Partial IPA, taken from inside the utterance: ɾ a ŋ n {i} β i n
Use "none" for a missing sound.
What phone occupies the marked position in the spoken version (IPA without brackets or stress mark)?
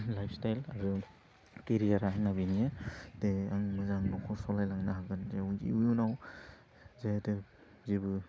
a